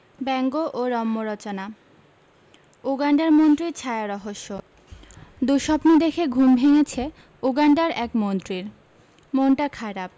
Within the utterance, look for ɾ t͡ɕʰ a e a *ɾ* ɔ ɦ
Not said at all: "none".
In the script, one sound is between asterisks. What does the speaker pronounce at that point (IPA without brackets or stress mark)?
ɾ